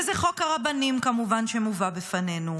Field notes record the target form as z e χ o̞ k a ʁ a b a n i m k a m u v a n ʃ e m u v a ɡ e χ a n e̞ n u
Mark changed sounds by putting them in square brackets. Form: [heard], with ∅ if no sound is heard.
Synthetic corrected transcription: z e χ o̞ k a ʁ a b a n i m k a m u v a n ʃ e m u v a [b] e [f] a n e̞ n u